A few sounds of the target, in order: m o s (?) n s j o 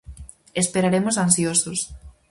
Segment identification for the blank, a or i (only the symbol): a